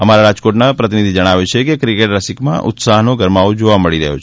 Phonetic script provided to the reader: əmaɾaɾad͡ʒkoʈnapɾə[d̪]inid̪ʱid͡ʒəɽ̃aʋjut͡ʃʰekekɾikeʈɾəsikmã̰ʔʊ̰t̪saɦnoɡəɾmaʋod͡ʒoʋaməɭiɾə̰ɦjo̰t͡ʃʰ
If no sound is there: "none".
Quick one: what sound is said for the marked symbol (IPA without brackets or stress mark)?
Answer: t̪